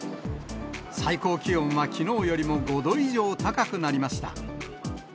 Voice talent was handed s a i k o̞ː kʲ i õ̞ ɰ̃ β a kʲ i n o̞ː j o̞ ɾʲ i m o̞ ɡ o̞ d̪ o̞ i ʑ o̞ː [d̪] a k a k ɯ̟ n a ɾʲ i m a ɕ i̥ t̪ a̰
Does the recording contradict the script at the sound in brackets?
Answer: yes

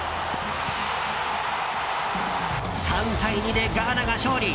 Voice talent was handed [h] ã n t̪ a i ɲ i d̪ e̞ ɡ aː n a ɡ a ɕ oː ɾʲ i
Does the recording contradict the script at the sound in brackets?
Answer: yes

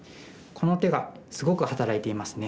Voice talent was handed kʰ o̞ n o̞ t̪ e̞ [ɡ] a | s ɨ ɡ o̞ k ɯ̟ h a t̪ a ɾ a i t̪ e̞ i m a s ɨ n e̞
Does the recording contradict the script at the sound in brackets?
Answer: no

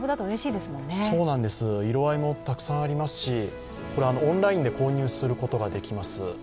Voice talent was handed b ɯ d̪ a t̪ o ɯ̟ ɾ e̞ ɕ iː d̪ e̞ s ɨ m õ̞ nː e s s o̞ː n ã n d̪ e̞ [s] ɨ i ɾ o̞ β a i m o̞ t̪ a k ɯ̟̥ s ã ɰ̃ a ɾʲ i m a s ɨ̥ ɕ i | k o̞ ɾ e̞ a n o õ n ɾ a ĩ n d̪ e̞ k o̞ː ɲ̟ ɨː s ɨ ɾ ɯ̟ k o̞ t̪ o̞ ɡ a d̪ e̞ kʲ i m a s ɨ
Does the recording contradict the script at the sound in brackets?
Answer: no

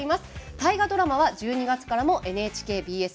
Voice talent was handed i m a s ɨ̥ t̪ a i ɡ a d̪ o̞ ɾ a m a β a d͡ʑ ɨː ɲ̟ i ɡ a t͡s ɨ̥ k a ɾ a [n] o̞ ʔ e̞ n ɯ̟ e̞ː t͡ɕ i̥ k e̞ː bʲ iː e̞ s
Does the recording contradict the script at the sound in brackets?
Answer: yes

